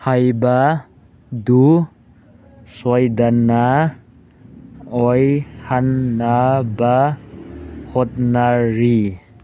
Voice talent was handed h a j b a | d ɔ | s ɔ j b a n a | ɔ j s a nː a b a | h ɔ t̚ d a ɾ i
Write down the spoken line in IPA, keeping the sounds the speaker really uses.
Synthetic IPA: h a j b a | d u | s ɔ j d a n a | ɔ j h a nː a b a | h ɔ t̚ n a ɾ i